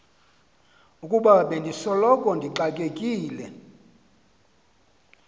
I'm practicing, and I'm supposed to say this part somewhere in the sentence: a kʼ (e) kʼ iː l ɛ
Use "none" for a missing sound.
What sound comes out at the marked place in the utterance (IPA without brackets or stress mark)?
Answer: e